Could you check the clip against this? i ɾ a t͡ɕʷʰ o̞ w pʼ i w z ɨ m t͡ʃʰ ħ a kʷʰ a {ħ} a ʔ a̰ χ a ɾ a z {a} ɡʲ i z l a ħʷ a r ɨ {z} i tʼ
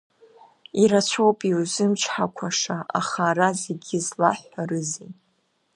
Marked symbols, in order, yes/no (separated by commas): no, no, yes